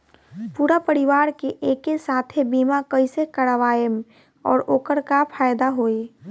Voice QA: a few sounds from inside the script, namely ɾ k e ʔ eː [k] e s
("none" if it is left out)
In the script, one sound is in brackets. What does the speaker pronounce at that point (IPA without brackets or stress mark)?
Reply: k